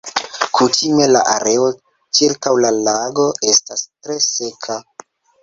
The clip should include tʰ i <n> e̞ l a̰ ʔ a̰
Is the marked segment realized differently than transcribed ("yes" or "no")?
yes